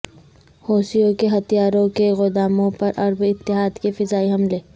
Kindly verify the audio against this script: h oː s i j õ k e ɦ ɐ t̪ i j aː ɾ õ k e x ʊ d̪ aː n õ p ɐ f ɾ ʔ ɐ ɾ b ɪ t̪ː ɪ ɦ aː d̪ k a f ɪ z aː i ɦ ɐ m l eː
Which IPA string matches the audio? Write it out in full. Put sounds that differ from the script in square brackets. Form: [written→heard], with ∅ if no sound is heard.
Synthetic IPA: h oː s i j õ k e ɦ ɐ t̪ i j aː ɾ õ k e [x→ɣ] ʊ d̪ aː [n→m] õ p ɐ [f→∅] ɾ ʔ ɐ ɾ b ɪ t̪ː ɪ ɦ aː d̪ k [a→e] f ɪ z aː i ɦ ɐ m l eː